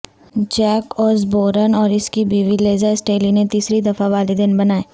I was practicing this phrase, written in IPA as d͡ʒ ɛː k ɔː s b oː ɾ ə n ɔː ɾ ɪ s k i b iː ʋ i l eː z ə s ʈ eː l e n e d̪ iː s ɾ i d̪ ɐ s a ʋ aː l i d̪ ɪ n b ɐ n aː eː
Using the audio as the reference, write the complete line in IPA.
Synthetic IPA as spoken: d͡ʒ ɛː k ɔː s b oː ɾ ə n ɔː ɾ ɪ s k i b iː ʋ i l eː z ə s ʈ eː l i n e t̪ iː s ɾ i d̪ ɐ f a ʋ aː l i d̪ ɪ n b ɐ n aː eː